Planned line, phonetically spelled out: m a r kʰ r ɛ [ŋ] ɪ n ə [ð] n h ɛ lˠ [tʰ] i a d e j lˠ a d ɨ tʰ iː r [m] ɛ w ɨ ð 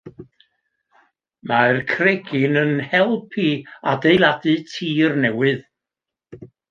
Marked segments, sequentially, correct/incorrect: incorrect: ɡ, incorrect: none, incorrect: pʰ, incorrect: n

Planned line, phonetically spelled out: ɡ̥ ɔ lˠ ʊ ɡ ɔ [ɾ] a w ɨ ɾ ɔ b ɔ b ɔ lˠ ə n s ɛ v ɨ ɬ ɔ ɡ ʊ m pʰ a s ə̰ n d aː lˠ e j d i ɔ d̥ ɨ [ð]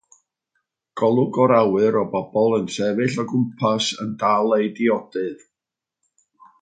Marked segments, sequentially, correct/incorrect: correct, correct

